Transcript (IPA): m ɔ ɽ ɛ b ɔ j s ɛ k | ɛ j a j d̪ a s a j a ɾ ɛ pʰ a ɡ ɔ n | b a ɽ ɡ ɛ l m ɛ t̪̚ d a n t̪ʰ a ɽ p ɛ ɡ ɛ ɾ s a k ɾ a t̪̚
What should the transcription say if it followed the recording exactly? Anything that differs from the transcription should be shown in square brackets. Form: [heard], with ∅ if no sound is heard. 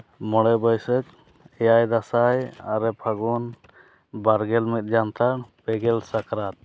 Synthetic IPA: m ɔ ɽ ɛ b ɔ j s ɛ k | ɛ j a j d̪ a s a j a ɾ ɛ pʰ a ɡ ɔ n | b a [ɾ] ɡ ɛ l m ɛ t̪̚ [d͡ʒ] a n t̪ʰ a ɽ p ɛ ɡ ɛ [l] s a k ɾ a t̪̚